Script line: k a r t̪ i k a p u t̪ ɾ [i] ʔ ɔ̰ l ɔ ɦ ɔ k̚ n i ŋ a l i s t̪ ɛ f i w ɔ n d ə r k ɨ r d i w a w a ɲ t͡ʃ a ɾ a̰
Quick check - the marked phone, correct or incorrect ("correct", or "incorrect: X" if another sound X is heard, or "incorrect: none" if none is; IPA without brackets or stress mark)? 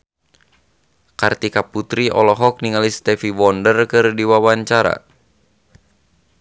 correct